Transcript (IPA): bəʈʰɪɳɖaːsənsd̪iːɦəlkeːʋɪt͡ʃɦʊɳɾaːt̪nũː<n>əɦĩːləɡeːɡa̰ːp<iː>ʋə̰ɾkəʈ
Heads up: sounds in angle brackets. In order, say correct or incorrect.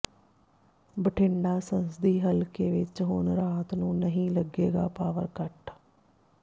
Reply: correct, incorrect

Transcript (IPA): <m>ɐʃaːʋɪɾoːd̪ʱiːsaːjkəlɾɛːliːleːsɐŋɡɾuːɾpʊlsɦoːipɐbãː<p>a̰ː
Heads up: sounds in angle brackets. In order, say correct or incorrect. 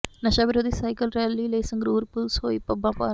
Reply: incorrect, correct

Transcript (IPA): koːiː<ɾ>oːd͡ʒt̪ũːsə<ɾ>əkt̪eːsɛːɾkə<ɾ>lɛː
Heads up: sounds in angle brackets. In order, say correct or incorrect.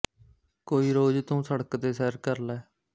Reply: correct, incorrect, correct

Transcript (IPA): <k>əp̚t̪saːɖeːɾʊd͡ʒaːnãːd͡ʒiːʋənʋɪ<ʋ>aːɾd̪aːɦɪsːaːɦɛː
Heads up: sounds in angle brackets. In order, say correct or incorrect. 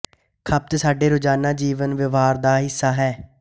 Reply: incorrect, correct

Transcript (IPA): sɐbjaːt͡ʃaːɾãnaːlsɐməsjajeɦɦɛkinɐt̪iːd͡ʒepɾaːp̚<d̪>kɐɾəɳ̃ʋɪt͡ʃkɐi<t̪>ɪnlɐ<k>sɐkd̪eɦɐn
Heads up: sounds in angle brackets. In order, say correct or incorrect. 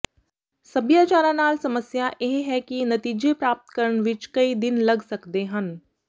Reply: incorrect, incorrect, incorrect

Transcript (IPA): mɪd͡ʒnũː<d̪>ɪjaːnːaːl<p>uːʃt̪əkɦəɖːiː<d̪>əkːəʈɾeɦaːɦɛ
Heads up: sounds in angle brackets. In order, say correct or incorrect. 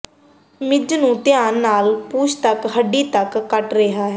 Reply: incorrect, correct, incorrect

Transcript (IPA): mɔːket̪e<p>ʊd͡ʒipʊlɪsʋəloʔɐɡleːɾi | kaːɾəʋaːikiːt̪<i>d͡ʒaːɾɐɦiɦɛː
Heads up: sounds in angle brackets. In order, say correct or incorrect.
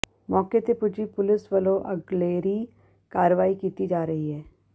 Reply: correct, correct

